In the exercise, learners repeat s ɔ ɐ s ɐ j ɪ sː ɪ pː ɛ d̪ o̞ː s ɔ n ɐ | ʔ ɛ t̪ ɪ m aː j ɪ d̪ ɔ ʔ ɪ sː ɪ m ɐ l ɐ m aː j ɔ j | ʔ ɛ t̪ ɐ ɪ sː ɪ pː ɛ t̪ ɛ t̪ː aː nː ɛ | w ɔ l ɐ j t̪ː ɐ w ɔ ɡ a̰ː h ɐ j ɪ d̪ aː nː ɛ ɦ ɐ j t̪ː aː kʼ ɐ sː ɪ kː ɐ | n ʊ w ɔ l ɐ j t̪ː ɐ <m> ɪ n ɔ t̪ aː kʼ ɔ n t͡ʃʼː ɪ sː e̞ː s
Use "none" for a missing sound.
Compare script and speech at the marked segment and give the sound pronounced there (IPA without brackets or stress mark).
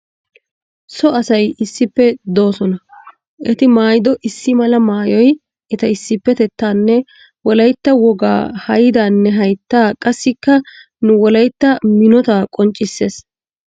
m